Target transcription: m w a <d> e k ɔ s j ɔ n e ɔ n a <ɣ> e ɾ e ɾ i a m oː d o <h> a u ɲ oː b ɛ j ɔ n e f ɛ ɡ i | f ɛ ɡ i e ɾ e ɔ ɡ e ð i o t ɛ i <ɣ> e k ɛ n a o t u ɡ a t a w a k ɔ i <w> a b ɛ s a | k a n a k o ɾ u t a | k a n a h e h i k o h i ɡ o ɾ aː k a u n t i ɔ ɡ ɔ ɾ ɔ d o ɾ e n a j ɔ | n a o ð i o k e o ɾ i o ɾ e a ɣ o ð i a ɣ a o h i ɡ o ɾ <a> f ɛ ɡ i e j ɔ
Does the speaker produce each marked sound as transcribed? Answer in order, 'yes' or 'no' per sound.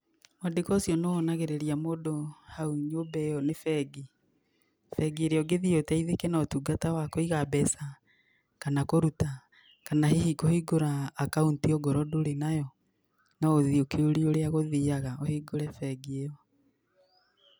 yes, yes, yes, no, no, no

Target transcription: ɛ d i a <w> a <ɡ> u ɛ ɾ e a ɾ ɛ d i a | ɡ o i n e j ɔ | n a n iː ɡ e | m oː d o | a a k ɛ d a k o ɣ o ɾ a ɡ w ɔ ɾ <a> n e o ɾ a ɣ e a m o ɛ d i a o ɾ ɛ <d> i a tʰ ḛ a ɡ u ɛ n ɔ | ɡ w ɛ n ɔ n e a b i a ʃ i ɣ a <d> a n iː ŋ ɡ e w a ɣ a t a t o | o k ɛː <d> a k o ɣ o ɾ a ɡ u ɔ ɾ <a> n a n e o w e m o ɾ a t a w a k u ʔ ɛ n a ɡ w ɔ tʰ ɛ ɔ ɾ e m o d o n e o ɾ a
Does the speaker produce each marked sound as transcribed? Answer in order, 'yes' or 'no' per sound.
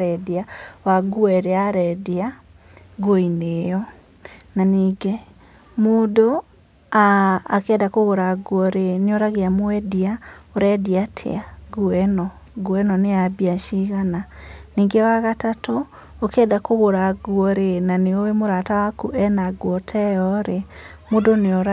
yes, yes, no, yes, no, yes, no

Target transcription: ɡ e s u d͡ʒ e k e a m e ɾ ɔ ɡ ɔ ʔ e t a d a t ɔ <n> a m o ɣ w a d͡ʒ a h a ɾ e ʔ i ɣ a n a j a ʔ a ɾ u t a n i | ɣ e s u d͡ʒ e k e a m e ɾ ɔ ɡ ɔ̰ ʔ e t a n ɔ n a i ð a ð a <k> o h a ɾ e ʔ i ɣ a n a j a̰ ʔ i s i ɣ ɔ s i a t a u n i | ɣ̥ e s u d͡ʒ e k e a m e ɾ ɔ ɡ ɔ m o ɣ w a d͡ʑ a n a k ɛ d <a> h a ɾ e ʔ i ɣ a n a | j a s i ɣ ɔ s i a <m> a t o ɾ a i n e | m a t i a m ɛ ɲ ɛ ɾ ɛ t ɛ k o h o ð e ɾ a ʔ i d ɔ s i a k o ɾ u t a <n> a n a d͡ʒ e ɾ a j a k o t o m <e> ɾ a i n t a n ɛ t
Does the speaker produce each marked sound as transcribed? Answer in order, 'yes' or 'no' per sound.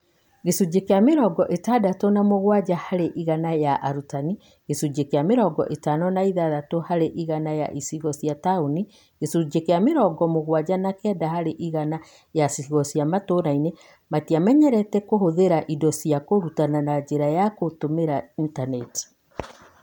yes, no, yes, yes, yes, yes

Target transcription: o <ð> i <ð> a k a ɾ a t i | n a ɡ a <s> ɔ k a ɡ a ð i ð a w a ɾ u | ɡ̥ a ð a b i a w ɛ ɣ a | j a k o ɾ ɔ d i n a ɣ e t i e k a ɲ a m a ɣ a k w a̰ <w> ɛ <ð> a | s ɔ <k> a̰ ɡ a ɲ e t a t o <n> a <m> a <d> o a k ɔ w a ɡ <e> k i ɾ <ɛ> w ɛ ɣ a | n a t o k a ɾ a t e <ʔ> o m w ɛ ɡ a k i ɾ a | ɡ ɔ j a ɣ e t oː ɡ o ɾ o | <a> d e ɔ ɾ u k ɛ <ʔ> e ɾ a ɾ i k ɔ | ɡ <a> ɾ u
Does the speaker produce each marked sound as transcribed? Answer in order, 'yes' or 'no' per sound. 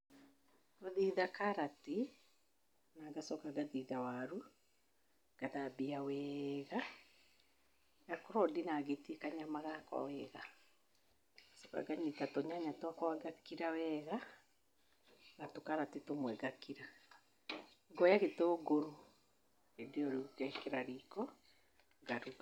yes, yes, yes, yes, no, yes, no, no, no, no, no, no, no, no, yes

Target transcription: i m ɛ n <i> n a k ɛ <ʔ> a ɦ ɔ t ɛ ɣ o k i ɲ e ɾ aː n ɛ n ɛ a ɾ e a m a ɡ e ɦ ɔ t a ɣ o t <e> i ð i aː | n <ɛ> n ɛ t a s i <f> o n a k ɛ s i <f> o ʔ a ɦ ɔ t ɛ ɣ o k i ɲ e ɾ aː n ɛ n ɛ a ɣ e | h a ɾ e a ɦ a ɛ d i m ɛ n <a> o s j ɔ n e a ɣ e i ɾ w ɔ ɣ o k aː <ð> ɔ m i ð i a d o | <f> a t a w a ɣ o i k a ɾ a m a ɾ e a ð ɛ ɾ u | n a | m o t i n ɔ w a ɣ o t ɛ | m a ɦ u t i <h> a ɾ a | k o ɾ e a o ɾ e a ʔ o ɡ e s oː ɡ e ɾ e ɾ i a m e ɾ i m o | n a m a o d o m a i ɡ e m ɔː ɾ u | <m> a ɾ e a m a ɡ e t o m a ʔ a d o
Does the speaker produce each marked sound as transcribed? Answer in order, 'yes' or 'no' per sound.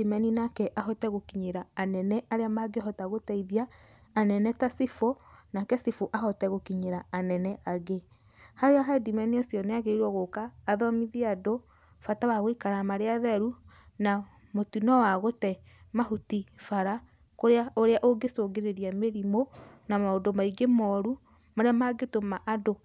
yes, yes, no, yes, yes, yes, no, yes, yes, no, yes

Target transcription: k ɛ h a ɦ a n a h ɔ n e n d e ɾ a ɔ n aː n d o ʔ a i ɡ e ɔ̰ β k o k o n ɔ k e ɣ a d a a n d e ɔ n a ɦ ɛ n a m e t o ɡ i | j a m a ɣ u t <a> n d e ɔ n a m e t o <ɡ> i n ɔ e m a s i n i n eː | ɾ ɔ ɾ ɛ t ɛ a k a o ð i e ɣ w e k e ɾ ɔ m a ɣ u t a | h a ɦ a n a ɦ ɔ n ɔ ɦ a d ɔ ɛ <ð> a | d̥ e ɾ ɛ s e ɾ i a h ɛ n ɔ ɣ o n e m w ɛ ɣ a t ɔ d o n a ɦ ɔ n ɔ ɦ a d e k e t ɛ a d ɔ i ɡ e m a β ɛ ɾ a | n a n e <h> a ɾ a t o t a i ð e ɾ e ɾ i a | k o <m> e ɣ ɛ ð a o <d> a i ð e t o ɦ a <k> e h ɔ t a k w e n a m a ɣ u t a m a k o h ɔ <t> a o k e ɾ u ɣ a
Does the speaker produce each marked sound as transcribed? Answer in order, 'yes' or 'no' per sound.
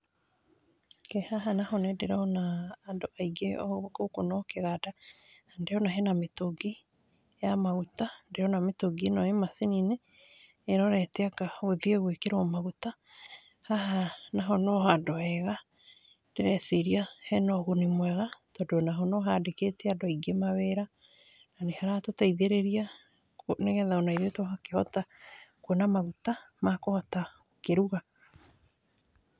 yes, yes, no, yes, no, no, yes, yes

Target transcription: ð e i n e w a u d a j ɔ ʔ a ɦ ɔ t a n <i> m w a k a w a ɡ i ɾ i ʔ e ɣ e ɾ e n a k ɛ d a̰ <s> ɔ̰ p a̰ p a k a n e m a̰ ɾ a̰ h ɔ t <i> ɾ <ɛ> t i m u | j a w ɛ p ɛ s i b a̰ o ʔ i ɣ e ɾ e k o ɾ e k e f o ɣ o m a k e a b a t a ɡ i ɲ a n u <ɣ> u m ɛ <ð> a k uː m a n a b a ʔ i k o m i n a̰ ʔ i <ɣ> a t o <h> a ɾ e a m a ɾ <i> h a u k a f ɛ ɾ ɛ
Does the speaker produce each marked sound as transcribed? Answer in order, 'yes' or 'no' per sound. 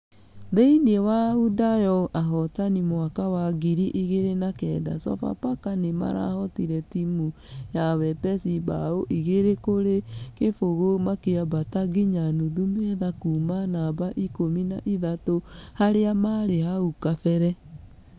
yes, yes, yes, yes, no, yes, no, yes, no

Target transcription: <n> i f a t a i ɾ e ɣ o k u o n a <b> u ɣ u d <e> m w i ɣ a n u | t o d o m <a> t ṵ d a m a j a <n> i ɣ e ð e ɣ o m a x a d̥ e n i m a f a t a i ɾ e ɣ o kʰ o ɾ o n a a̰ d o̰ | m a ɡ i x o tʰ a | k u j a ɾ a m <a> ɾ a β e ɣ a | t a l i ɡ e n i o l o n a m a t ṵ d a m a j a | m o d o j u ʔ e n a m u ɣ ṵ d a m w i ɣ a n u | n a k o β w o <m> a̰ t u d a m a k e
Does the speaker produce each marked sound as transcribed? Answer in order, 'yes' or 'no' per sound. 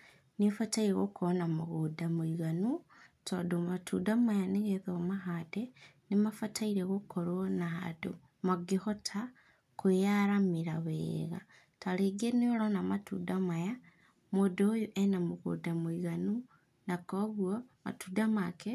yes, no, no, yes, yes, no, yes

